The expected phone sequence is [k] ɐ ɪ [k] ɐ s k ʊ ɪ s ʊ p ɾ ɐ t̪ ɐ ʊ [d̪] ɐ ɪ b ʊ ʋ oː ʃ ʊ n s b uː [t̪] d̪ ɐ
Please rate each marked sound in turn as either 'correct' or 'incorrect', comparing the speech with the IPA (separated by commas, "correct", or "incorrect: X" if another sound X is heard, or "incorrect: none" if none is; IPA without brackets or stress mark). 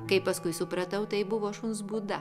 correct, incorrect: p, incorrect: t̪, incorrect: none